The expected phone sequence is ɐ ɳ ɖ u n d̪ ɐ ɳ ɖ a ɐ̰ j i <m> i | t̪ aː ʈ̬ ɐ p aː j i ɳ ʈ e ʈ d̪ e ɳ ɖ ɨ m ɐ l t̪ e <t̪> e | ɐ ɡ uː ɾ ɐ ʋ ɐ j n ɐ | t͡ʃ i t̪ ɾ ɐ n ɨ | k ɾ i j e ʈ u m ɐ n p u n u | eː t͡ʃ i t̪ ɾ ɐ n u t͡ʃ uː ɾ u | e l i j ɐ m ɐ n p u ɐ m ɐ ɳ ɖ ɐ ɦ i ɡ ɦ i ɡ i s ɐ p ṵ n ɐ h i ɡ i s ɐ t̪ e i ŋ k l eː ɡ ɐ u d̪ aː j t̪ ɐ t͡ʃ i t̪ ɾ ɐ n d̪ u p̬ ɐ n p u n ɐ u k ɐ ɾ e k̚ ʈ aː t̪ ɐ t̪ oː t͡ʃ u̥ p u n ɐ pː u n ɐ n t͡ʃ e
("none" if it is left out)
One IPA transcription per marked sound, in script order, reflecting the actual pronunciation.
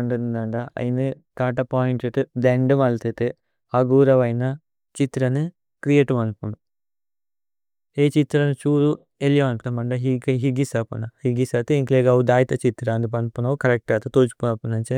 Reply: n, t̪

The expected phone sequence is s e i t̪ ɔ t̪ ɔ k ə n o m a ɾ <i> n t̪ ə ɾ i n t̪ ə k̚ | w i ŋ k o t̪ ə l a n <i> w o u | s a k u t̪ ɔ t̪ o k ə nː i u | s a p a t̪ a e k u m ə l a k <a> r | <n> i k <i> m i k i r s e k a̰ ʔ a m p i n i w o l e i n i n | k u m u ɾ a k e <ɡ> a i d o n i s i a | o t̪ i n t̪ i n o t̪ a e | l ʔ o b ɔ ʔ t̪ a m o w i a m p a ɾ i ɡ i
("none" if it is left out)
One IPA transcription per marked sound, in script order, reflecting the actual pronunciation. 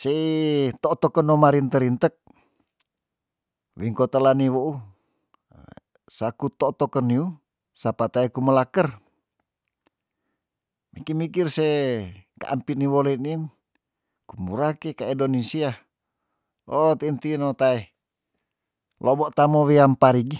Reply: i, i, ə, m, i, k

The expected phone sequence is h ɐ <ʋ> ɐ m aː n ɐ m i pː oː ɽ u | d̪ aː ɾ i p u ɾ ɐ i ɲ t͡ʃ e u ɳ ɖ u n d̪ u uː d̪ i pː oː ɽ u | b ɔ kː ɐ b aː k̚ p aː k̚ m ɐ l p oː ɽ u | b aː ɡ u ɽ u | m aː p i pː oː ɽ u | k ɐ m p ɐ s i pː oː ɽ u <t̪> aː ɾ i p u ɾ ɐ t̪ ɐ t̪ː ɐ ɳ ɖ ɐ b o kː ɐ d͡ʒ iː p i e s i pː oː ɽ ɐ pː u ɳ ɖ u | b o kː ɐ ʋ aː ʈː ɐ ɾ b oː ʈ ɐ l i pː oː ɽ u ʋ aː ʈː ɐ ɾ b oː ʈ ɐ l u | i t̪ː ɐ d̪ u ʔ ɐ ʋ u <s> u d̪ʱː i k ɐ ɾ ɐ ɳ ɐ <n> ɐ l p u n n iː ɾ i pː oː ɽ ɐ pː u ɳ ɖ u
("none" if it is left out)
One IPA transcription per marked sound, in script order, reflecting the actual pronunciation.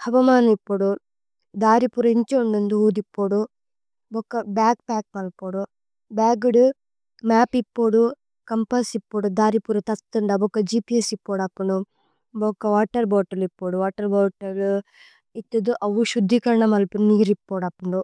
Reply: ʋ, d̪, ʃ, m

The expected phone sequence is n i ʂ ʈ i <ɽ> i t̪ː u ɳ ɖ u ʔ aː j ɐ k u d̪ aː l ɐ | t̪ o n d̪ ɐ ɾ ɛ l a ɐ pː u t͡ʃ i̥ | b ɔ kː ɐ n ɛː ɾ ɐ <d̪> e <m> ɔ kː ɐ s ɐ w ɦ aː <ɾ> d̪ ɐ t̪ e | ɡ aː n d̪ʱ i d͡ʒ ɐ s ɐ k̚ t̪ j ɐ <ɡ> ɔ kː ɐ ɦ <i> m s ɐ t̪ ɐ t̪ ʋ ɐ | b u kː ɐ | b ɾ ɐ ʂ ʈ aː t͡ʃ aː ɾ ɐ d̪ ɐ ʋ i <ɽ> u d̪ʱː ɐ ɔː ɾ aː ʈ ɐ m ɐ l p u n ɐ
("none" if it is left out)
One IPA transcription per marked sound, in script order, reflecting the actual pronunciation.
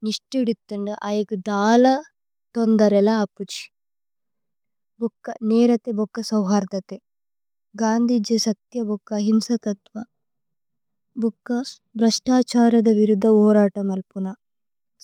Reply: ɽ, t̪, b, ɾ, b, i, ɾ

